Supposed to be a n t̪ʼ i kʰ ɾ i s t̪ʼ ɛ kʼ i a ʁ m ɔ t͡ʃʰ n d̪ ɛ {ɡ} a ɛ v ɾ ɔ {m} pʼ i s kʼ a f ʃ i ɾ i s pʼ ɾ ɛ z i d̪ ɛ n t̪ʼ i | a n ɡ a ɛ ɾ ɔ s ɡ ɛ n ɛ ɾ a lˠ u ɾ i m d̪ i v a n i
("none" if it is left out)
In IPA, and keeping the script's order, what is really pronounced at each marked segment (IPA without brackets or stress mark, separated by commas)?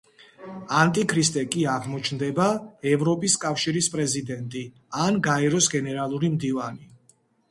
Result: b, none